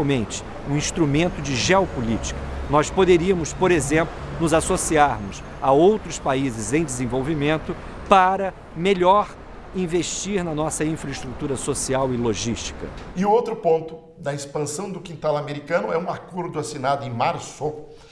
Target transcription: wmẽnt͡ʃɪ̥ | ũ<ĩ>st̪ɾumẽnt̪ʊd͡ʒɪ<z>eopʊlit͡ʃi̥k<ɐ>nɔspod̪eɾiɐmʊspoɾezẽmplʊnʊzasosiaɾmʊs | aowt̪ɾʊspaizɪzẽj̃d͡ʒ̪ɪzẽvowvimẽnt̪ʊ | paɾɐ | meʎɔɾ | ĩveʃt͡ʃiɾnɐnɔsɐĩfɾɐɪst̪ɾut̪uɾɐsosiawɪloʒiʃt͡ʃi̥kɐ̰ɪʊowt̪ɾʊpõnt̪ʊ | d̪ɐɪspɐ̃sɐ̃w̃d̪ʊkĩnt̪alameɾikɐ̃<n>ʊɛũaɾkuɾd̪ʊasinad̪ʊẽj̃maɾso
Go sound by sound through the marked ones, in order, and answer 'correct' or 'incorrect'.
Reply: correct, incorrect: ʒ, correct, correct

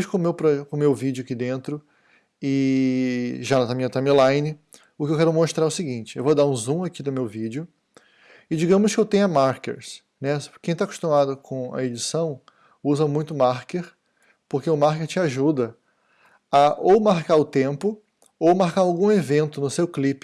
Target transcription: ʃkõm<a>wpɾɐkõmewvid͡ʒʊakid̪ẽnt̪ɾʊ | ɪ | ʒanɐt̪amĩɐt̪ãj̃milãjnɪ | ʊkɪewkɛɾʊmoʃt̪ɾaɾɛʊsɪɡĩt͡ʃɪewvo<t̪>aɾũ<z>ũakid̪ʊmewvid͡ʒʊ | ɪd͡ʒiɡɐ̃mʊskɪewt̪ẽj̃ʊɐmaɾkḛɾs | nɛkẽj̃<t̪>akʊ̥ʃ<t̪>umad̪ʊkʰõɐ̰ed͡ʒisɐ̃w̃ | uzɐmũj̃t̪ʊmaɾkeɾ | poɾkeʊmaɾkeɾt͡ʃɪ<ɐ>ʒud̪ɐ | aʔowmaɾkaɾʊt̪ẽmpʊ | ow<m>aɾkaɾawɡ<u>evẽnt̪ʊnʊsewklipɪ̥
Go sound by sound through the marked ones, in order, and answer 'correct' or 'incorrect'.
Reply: incorrect: e, incorrect: d̪, correct, correct, correct, incorrect: a, correct, incorrect: ũ

